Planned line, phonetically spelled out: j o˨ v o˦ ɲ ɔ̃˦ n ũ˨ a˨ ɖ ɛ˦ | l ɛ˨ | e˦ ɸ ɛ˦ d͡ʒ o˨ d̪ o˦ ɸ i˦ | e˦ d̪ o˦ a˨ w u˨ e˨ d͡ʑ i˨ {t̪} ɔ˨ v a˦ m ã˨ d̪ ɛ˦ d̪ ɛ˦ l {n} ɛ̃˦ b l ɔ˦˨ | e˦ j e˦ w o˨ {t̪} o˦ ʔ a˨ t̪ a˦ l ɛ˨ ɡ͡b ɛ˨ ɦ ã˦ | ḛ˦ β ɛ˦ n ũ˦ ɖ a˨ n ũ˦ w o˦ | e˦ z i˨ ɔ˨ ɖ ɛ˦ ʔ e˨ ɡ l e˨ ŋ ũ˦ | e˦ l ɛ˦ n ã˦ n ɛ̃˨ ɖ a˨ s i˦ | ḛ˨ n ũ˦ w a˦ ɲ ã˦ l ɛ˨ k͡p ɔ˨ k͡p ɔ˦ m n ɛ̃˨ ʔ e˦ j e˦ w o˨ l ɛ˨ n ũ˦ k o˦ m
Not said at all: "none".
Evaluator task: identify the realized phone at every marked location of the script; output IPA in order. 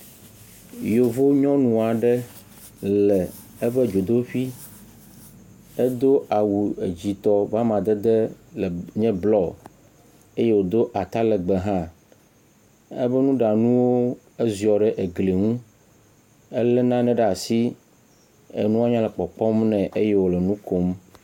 t̪, ɲ, d̪

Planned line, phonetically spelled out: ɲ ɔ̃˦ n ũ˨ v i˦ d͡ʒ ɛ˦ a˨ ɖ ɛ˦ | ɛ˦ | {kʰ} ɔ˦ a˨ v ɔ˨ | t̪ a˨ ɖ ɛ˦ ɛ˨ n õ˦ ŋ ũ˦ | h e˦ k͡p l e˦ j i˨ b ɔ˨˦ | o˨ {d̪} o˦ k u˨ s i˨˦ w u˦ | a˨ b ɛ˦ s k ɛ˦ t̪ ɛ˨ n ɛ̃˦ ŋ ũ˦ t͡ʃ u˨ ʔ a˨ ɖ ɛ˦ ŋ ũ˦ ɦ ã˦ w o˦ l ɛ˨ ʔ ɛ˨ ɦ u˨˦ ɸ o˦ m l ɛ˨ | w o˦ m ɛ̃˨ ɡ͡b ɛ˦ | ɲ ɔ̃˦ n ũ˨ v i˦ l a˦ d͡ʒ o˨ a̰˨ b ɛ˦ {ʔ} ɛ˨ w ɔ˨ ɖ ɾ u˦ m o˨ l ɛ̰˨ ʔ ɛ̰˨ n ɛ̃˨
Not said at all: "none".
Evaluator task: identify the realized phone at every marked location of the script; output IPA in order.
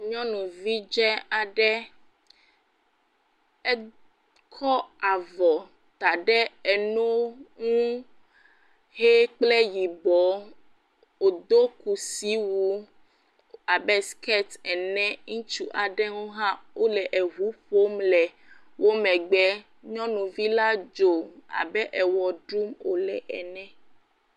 kʰ, d̪, ʔ

